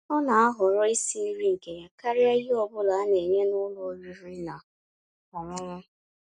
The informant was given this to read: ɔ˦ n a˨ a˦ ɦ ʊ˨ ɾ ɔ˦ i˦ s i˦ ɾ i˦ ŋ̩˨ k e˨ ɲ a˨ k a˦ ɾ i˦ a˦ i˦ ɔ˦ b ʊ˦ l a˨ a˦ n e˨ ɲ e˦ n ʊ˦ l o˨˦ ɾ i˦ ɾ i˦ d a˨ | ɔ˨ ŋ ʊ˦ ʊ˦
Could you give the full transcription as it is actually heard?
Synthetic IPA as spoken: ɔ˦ n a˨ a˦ ɦ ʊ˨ ɾ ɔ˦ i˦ s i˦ ɾ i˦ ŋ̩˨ k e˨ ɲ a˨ k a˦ ɾ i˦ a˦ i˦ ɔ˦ b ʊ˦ l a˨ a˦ n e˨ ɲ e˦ n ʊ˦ l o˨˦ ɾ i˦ ɾ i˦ n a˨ | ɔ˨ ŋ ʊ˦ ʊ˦